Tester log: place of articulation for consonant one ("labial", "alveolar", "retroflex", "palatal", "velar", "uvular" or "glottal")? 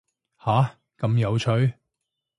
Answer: glottal